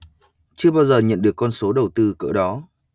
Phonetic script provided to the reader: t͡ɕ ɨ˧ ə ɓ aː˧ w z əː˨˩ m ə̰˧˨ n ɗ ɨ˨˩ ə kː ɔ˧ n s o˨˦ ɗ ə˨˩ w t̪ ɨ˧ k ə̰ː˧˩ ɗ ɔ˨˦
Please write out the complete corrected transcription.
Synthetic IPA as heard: t͡ɕ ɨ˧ ə ɓ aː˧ w z əː˨˩ ɲ ə̰˧˨ n ɗ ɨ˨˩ ə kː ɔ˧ n s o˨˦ ɗ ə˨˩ w t̪ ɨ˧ k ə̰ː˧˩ ɗ ɔ˨˦

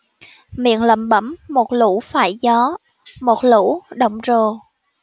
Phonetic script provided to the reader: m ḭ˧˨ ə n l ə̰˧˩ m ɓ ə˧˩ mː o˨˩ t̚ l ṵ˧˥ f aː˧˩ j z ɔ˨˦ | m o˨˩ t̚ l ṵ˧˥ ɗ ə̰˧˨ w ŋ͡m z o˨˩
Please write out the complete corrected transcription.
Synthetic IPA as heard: m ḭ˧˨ ə n l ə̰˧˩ m ɓ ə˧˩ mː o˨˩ t̚ l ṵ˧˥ f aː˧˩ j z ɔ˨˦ | m o˨˩ t̚ l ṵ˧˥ ɗ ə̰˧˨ w ŋ͡m z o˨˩

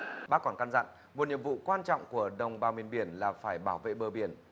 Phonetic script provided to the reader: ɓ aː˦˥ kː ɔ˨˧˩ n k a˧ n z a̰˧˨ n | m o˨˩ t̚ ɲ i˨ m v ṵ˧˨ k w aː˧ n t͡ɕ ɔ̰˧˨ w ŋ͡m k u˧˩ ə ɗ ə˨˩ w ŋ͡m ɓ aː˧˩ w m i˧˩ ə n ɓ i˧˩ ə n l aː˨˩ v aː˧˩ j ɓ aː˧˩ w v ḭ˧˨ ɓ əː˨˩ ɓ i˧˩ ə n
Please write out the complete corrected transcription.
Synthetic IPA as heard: ɓ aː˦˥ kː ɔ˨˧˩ n k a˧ n z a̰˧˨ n | m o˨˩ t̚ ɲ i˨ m v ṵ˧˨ k w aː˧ n t͡ɕ ɔ̰˧˨ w ŋ͡m k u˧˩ ə ɗ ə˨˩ w ŋ͡m ɓ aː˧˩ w m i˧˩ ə n ɓ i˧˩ ə n l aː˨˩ f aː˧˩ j ɓ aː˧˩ w v ḛ˧˨ ɓ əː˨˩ ɓ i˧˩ ə n

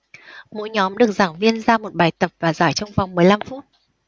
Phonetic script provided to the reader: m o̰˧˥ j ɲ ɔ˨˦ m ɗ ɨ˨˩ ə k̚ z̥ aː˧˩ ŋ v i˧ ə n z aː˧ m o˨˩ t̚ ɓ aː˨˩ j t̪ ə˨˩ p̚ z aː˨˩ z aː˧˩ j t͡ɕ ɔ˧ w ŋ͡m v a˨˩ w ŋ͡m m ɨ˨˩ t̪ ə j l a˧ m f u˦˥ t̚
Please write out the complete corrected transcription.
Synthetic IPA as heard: m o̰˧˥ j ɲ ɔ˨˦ m ɗ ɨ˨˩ ə k̚ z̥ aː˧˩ ŋ v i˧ ə n z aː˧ m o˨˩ t̚ ɓ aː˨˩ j t̪ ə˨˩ p̚ v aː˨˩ z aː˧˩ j t͡ɕ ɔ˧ w ŋ͡m v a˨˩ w ŋ͡m m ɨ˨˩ ə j l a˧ m f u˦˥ t̚

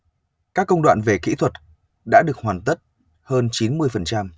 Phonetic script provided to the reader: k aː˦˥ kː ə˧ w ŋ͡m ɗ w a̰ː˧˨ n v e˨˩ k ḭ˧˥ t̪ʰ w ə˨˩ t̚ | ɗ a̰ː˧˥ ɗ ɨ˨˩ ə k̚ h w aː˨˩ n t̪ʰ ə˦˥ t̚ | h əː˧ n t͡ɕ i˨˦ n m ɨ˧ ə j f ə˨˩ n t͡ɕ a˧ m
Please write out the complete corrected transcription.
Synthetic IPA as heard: k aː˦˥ kː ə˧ w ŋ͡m ɗ w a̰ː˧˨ n v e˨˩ k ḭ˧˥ t̪ʰ w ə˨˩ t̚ | ɗ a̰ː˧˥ ɗ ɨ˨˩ ə k̚ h w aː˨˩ n t̪ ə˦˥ t̚ | h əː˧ n t͡ɕ i˨˦ n m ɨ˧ ə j f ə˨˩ n t͡ɕ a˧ m

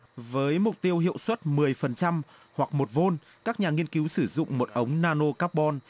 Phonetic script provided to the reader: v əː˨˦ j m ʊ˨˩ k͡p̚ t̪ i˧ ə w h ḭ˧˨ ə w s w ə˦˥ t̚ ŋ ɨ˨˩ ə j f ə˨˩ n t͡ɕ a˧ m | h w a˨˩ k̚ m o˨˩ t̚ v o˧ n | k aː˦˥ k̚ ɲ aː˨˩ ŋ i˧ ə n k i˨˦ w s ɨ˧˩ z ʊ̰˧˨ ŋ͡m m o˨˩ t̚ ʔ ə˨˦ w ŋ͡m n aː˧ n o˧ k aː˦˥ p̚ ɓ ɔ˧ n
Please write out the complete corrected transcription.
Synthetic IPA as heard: v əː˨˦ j m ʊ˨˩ k͡p̚ t̪ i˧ ə w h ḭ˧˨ ə w s w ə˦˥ t̚ m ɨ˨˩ ə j f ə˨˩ n t͡ɕ a˧ m | h w a˨˩ k̚ m o˨˩ t̚ v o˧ n | k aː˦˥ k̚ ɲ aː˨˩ ŋ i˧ ə n k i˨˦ w s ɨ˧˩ z ʊ̰˧˨ ŋ͡m m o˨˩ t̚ ʔ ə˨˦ w ŋ͡m n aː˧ n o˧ k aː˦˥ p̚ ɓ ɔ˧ n

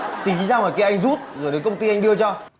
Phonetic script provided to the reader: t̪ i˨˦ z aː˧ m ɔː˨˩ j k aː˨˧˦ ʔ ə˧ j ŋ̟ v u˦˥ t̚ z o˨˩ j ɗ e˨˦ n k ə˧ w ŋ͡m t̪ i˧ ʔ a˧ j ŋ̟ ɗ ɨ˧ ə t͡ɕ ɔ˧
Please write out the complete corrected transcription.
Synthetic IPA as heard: t̪ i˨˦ z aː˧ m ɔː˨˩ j k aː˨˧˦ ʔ a˧ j ŋ̟ z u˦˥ t̚ z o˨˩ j ɗ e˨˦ n k ə˧ w ŋ͡m t̪ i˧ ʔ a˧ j ŋ̟ ɗ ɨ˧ ə t͡ɕ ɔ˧

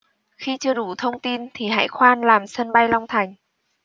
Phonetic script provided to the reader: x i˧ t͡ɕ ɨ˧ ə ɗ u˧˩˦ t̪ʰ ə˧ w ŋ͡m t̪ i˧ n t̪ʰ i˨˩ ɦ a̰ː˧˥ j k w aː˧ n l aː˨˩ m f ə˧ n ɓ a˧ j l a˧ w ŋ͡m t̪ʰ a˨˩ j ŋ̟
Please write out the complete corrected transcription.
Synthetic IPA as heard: x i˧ t͡ɕ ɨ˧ ə ɗ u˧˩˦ t̪ʰ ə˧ w ŋ͡m t̪ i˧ n t̪ʰ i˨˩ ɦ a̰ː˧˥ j x w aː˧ n l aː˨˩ m s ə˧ n ɓ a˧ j l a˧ w ŋ͡m t̪ʰ a˨˩ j ŋ̟

